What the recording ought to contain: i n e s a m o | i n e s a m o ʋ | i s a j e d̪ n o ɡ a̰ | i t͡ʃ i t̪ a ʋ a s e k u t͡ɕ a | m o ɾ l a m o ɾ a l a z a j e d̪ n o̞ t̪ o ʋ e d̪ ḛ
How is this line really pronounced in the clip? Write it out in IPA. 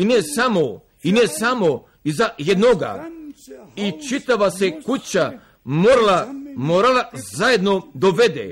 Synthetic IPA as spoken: i n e s a m o | i n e s a m o | i z a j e d̪ n o ɡ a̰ | i t͡ʃ i t̪ a ʋ a s e k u t͡ɕ a | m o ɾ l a m o ɾ a l a z a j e d̪ n o̞ d̪ o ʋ e d̪ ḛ